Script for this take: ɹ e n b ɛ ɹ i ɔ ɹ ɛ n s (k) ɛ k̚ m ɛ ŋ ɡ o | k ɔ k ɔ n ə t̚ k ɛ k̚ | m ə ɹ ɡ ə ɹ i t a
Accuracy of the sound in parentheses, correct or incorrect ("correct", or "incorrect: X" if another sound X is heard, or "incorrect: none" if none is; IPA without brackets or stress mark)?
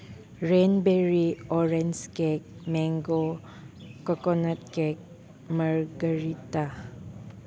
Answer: correct